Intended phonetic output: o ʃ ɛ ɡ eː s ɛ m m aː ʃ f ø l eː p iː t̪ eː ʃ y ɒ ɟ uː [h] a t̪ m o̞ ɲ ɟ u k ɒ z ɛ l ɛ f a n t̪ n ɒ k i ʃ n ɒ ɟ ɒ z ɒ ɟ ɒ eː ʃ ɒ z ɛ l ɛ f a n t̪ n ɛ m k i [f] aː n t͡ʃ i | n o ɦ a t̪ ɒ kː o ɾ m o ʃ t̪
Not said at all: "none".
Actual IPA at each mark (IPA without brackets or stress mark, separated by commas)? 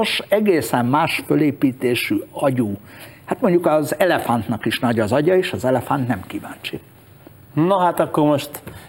h, v